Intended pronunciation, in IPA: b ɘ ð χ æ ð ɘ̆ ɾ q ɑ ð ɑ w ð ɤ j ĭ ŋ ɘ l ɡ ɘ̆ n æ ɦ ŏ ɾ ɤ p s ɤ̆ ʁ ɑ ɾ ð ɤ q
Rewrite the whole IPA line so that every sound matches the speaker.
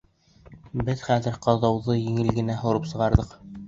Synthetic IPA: b ɘ ð χ æ ð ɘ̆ ɾ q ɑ ð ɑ w ð ɤ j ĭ ŋ ɘ l ɡ ɘ̆ n æ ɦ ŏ ɾ ɤ p s ɤ̆ ʁ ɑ ɾ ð ɤ q